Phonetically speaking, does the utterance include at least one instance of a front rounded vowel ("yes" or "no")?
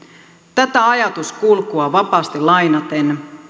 no